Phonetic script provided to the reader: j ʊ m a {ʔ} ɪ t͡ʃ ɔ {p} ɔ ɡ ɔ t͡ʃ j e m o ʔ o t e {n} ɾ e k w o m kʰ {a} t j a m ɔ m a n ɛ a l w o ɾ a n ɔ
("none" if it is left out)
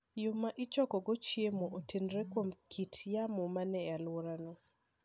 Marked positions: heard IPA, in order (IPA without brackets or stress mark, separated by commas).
ʔ, k, n, i